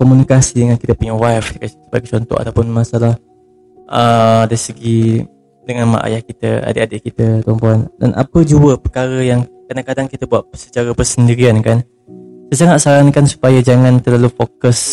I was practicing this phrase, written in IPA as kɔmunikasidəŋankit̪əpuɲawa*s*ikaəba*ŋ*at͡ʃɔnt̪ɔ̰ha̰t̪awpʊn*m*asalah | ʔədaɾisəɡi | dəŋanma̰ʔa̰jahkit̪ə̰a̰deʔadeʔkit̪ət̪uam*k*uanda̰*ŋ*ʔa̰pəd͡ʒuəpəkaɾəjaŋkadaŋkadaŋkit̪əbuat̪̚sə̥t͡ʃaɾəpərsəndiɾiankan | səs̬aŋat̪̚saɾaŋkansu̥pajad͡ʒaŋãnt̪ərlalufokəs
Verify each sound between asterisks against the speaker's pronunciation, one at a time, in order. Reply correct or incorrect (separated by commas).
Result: incorrect, incorrect, correct, incorrect, incorrect